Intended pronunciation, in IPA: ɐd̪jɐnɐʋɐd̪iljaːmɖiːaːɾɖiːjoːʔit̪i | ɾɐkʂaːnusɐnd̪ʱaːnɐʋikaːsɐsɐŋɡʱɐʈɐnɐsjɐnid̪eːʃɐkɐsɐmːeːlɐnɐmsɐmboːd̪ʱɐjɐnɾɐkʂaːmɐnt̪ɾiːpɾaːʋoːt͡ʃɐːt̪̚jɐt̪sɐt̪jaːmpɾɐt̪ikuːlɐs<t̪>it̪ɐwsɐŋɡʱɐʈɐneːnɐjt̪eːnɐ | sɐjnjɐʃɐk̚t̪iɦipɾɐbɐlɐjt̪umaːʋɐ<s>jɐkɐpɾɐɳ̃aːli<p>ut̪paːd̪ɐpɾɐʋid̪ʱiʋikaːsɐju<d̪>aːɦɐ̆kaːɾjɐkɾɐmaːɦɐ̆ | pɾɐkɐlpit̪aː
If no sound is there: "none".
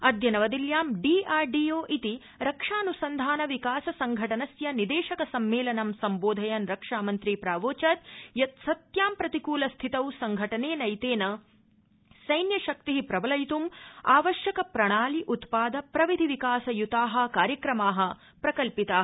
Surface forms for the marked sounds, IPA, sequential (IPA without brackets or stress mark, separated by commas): t̪ʰ, ʃ, ʔ, t̪